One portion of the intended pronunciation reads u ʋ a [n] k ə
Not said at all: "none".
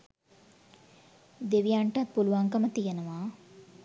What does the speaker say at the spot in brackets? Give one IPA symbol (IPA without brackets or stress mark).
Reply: ŋ